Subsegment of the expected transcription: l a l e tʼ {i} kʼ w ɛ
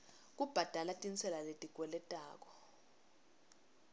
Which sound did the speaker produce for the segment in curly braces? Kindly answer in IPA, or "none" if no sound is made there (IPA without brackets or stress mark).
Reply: i